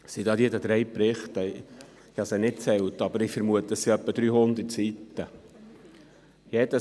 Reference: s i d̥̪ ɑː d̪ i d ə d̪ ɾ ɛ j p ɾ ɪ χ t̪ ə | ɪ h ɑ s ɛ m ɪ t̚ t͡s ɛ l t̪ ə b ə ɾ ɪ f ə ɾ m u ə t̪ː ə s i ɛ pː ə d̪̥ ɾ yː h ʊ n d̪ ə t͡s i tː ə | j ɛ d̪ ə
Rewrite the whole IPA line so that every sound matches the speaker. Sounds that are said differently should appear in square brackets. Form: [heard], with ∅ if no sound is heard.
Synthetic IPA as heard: s i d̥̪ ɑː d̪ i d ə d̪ ɾ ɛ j p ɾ ɪ χ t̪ ə | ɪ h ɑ s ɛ [n] ɪ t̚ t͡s ɛ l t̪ [ɑ] b ə ɾ ɪ f ə ɾ m u ə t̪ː ə s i [œ] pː ə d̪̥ ɾ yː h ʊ n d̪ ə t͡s i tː ə | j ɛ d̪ ə